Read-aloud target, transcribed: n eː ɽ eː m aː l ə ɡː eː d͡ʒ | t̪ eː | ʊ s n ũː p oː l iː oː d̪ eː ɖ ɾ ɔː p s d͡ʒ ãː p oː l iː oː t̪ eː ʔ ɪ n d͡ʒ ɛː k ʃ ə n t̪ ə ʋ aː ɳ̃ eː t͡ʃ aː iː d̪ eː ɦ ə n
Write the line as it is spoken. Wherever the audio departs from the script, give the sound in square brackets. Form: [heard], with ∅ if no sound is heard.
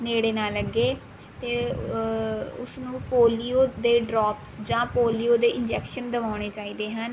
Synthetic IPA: n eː ɽ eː [n] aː l ə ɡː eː [∅] | t̪ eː | ʊ s n ũː p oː l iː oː d̪ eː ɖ ɾ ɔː p s d͡ʒ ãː p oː l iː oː [d̪] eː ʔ ɪ n d͡ʒ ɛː k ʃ ə n [d̪] ə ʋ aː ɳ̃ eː t͡ʃ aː iː d̪ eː ɦ ə n